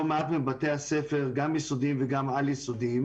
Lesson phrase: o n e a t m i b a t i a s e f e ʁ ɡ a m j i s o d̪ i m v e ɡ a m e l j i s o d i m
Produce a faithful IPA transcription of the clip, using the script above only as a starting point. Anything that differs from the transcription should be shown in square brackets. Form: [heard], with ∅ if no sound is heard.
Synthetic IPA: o [m] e a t m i b a t [e] a s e f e ʁ ɡ a m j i s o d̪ i m v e ɡ a m [a] l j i s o d i m